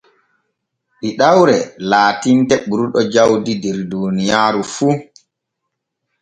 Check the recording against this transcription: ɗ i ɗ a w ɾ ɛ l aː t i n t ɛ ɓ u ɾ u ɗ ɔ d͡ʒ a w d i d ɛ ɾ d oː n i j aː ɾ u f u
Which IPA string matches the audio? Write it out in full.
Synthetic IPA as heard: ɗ i ɗ a w ɾ ɛ l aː t i n t ɛ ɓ u ɾ u ɗ ɔ d͡ʒ a w d i d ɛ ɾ d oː n i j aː ɾ u f u